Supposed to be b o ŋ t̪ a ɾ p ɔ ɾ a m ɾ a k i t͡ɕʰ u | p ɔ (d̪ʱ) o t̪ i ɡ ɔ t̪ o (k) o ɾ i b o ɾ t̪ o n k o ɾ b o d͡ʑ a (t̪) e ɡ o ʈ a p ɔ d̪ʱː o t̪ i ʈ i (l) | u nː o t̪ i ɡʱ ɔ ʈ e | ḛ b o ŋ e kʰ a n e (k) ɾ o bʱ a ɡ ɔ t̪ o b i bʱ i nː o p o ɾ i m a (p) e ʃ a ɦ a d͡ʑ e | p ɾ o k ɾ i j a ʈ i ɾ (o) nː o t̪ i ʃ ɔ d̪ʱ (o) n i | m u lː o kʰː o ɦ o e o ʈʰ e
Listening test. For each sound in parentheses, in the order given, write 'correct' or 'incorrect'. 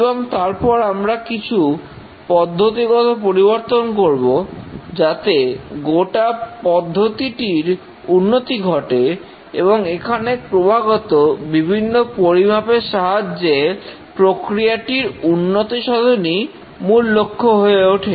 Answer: incorrect, incorrect, correct, incorrect, incorrect, correct, incorrect, correct

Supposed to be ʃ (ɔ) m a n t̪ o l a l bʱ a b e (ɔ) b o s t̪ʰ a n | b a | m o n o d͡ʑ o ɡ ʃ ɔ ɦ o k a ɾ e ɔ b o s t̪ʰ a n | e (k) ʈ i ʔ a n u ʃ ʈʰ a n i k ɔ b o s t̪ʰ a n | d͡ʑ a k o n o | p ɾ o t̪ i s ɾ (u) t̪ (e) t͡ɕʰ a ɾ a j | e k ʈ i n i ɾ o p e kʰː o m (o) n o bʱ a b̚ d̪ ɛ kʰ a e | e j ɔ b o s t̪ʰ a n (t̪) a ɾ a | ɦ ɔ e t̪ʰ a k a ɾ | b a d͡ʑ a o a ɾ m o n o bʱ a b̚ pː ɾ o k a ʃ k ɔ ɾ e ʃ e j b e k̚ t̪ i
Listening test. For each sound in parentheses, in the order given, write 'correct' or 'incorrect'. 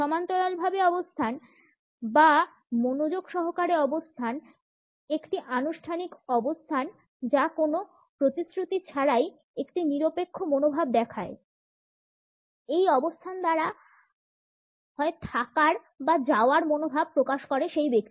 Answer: correct, correct, correct, correct, incorrect, correct, incorrect

